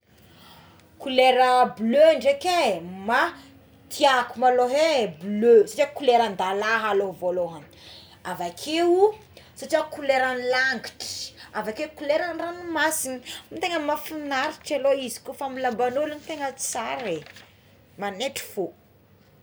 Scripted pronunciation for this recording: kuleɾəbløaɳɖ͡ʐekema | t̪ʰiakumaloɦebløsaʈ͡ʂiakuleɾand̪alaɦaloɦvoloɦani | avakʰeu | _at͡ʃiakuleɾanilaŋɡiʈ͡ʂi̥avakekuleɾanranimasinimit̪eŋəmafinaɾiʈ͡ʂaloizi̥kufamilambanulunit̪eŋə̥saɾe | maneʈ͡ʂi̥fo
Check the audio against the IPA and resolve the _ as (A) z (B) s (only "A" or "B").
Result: B